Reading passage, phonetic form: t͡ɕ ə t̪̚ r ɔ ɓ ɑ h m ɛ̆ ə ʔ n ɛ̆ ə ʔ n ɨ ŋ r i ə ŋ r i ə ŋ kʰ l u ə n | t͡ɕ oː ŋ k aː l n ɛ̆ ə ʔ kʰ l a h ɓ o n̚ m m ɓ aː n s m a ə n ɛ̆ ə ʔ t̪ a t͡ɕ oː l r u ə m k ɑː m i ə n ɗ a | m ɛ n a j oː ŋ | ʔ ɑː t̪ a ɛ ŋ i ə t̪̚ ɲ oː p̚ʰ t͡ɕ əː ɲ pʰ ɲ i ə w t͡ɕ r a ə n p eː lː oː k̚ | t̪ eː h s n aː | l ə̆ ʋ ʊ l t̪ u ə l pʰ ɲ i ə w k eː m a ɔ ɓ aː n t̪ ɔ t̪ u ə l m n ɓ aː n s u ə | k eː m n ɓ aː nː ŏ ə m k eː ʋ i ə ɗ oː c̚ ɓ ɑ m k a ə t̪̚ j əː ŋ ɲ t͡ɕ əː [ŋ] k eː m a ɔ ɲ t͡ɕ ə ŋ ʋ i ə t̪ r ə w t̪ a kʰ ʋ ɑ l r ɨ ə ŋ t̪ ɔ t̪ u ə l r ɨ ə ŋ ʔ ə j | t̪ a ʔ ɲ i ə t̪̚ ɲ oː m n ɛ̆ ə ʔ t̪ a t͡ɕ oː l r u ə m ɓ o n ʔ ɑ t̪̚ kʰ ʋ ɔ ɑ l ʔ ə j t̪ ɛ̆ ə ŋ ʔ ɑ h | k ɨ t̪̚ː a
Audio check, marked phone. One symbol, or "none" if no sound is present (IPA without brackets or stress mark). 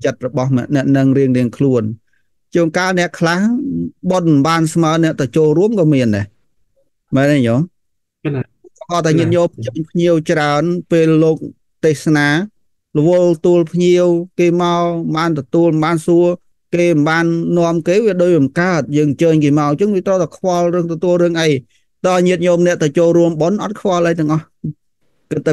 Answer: ɲ